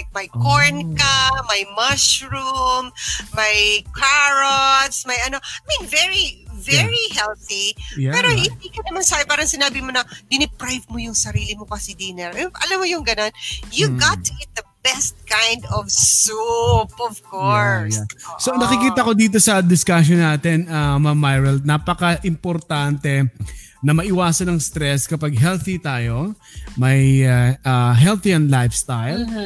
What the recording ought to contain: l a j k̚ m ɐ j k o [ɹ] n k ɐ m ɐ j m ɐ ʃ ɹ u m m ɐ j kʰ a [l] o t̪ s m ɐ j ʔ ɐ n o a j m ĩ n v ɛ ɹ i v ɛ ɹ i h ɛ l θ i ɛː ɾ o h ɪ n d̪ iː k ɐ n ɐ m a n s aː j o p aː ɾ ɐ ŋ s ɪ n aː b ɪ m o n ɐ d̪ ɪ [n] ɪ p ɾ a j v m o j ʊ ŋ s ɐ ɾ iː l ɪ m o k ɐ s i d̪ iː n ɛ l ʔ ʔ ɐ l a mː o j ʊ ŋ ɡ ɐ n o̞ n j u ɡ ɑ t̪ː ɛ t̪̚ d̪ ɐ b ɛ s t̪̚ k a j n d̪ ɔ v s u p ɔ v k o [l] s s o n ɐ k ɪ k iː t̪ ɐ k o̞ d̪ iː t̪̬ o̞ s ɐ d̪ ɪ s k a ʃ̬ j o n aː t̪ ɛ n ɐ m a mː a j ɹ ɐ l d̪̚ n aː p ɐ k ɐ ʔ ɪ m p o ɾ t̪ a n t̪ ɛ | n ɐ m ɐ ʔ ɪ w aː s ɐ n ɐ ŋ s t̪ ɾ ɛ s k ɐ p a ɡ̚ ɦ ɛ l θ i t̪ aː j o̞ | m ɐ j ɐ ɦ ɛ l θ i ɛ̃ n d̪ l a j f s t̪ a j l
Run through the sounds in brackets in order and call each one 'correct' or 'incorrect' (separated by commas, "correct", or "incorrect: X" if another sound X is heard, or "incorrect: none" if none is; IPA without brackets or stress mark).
correct, incorrect: ɹ, correct, incorrect: ɹ